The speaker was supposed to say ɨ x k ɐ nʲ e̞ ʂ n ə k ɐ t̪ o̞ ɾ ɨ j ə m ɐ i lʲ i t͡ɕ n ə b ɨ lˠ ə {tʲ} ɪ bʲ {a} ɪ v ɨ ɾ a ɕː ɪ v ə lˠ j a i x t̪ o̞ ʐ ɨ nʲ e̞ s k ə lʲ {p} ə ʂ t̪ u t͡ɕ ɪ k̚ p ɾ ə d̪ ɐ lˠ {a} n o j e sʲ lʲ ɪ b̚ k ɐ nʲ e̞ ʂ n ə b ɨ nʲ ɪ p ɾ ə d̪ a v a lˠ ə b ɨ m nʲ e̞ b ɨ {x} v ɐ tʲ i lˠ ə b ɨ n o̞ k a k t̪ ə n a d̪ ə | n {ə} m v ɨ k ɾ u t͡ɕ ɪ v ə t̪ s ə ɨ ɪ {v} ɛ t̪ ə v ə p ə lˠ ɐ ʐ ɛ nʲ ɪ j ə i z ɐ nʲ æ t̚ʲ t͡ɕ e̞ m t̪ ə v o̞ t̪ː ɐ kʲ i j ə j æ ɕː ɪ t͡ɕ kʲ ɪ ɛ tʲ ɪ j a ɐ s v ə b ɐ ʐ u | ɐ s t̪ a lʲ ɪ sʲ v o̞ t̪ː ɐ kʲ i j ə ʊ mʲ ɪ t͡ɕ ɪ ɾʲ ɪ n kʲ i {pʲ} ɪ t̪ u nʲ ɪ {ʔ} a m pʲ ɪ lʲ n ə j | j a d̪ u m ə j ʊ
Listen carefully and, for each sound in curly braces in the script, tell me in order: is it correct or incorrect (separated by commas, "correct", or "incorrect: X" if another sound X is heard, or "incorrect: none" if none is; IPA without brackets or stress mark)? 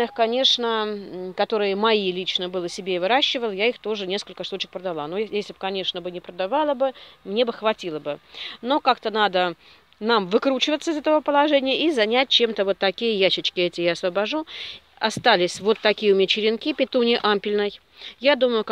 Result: incorrect: sʲ, incorrect: e, incorrect: k, correct, correct, incorrect: a, incorrect: z, correct, correct